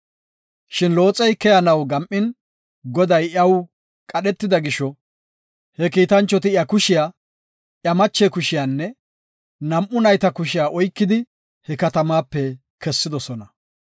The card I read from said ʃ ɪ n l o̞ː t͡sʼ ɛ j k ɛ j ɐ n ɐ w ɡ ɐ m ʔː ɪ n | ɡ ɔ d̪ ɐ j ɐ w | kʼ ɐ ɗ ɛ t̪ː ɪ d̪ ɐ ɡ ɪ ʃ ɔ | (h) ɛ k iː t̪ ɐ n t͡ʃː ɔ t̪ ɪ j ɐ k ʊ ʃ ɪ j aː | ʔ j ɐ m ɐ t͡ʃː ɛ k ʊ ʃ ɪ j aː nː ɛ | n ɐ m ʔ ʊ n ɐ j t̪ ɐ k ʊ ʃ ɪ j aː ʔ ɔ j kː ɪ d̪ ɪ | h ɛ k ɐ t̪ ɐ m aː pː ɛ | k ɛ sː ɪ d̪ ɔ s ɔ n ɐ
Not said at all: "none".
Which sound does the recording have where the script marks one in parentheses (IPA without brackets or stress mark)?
h